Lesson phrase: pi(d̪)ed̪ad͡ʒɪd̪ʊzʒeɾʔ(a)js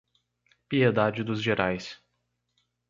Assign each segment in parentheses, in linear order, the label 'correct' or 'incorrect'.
incorrect: none, correct

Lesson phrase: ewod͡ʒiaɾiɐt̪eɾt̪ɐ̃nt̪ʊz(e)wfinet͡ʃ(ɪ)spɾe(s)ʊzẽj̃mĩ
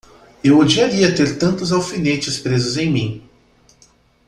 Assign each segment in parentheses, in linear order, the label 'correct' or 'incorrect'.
incorrect: a, correct, incorrect: z

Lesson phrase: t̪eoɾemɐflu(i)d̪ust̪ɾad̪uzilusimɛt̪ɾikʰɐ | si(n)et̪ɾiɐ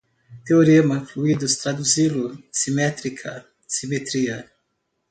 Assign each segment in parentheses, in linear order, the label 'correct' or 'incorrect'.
correct, incorrect: m

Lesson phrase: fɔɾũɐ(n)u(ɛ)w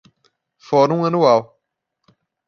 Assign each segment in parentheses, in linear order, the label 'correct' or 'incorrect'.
correct, incorrect: a

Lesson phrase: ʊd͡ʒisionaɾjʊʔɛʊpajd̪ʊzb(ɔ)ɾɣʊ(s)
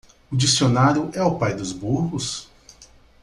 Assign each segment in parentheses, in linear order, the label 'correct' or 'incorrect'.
incorrect: u, correct

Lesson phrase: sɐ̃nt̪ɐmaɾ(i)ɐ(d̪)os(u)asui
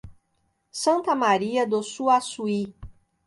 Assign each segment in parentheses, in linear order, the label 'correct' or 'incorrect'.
correct, correct, correct

